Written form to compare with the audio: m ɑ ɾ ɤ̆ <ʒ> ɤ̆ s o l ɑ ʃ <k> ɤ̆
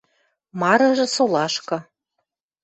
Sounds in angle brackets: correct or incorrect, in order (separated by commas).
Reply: correct, correct